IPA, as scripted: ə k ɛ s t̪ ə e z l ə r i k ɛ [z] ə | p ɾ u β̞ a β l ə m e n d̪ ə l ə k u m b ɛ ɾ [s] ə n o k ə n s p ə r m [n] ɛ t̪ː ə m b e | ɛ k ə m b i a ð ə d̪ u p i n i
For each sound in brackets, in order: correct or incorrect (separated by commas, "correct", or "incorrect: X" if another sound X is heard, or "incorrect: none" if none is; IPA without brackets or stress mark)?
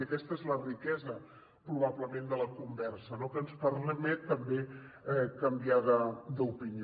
correct, correct, incorrect: m